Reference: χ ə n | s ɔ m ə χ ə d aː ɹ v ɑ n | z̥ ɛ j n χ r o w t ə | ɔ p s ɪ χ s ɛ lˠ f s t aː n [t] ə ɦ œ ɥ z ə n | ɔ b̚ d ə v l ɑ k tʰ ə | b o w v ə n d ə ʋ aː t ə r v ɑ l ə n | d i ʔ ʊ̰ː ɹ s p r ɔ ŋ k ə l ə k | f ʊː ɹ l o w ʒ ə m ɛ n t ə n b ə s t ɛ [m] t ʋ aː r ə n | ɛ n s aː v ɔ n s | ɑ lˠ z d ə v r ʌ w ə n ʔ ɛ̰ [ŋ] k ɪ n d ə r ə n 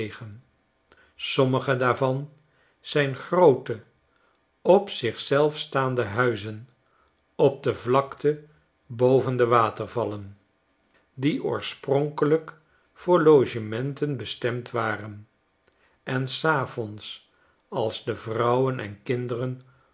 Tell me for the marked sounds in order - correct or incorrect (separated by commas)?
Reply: incorrect, correct, incorrect